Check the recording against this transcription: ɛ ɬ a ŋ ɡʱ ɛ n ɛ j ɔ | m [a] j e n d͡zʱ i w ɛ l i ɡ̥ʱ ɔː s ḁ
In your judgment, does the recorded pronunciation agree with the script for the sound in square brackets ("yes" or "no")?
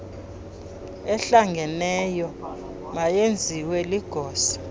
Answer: yes